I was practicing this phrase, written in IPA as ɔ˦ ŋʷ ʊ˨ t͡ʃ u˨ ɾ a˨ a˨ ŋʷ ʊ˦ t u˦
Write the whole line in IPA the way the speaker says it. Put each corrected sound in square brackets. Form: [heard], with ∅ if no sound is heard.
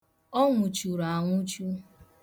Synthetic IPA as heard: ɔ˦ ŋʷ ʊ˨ t͡ʃ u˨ ɾ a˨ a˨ ŋʷ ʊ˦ [t͡ʃ] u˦